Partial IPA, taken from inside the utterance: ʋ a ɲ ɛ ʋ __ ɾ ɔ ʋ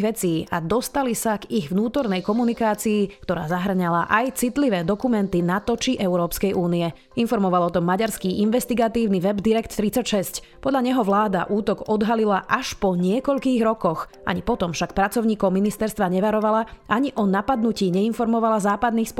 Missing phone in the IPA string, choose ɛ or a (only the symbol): a